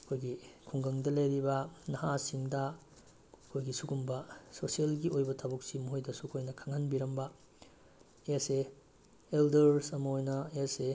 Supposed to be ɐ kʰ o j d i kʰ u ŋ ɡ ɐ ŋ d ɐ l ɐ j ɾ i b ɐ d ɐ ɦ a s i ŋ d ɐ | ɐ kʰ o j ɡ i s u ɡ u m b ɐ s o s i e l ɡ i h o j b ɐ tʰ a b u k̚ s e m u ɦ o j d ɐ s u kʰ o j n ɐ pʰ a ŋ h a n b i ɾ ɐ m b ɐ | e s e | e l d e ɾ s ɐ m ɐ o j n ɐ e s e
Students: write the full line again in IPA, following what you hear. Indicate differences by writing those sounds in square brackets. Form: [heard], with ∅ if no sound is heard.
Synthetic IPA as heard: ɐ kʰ o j [ɡ] i kʰ u ŋ ɡ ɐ ŋ d ɐ l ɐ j ɾ i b ɐ [n] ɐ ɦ a s i ŋ d ɐ | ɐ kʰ o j ɡ i s u ɡ u m b ɐ s o s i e l ɡ i [∅] o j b ɐ tʰ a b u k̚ s [i] m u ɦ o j d ɐ s u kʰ o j n ɐ [kʰ] a ŋ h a n b i ɾ ɐ m b ɐ | e s e | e l d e ɾ s ɐ m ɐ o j n ɐ e s e